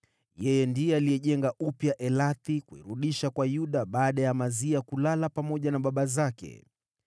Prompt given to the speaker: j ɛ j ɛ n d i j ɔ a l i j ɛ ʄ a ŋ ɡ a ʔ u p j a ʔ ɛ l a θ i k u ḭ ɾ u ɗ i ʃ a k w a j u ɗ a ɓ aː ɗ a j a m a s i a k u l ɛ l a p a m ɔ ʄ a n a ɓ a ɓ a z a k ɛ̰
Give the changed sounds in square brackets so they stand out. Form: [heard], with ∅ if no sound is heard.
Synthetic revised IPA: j ɛ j ɛ n d i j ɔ a l i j ɛ ʄ [ɛ] ŋ ɡ a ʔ u p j a ʔ ɛ l a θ i k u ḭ ɾ u ɗ i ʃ a k w a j u ɗ a ɓ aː ɗ a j a m a [z] i a k u l [a] l a p a m ɔ ʄ a n a ɓ a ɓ a z a k ɛ̰